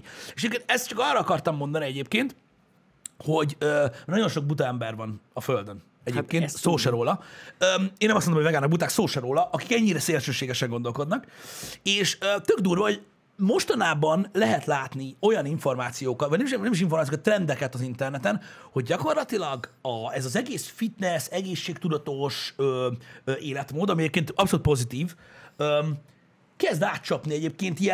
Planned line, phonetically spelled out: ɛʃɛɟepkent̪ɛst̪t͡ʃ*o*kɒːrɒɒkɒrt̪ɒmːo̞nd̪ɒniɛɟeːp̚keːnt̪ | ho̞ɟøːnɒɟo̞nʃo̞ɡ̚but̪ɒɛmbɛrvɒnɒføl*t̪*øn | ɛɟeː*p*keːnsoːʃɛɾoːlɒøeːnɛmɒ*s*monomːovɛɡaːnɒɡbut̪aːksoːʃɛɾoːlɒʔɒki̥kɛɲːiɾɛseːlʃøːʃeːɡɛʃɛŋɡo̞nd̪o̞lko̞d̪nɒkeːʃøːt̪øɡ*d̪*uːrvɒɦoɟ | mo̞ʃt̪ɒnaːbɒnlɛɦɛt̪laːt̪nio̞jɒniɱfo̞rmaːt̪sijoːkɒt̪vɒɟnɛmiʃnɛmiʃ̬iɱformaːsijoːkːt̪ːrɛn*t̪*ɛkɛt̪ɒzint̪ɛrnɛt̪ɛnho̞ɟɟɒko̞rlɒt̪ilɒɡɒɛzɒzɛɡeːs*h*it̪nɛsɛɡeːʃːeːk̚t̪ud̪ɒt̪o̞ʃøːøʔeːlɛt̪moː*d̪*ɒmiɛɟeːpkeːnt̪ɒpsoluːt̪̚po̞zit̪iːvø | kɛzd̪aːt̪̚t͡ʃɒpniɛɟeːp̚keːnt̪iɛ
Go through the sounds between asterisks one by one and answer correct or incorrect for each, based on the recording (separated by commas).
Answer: incorrect, incorrect, correct, correct, correct, incorrect, incorrect, correct